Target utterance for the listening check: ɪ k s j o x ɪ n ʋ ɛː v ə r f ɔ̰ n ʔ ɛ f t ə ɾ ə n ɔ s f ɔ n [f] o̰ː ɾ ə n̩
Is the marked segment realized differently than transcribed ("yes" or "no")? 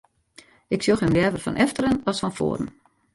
no